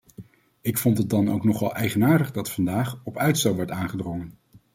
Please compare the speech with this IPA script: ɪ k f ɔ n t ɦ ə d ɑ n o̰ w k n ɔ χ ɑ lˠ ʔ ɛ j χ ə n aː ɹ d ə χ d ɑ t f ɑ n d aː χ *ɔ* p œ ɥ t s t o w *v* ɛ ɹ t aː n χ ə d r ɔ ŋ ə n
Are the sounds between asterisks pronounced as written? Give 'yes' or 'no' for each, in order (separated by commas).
yes, no